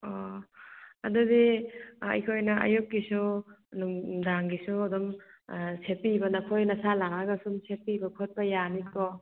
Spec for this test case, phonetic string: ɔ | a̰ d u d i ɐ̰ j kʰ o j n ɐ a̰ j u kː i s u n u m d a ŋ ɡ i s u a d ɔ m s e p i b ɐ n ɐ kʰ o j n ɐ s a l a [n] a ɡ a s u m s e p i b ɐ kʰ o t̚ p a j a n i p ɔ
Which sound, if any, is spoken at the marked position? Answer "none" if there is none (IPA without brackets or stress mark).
ŋ